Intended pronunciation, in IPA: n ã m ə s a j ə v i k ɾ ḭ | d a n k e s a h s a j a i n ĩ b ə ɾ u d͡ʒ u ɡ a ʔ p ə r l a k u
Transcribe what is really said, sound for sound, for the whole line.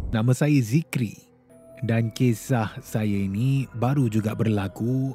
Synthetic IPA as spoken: n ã m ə s a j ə z i k ɾ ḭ | d a n k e s a h s a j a i n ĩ b a ɾ u d͡ʒ u ɡ a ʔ b ə r l a k u